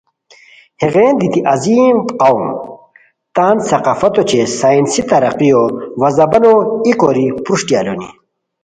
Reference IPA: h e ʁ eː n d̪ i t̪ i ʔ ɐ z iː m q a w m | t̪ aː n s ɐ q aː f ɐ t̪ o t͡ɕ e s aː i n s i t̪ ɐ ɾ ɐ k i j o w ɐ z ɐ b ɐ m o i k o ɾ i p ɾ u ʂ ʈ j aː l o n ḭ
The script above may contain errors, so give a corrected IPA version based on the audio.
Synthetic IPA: h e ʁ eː n d̪ i t̪ i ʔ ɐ z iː m q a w m | t̪ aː n s ɐ q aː f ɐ t̪ o t͡ɕ e s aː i n s i t̪ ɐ ɾ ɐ q i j o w ɐ z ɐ b ɐ n o i k o ɾ i p ɾ u ʂ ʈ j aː l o n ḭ